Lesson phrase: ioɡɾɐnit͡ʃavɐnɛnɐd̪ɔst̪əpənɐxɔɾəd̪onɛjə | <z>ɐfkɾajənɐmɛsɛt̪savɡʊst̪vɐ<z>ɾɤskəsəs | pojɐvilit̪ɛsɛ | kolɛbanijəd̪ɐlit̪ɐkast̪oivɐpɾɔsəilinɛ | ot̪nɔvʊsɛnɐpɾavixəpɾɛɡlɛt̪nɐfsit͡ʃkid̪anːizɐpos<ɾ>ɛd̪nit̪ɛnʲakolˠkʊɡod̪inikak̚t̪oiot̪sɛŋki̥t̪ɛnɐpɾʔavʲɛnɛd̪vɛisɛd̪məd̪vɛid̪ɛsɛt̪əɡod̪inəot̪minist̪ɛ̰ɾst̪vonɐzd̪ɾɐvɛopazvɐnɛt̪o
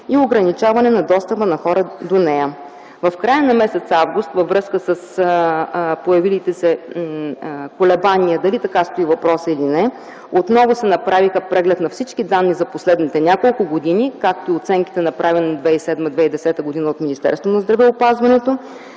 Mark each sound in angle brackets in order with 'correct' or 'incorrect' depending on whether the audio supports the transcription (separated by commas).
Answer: incorrect, incorrect, incorrect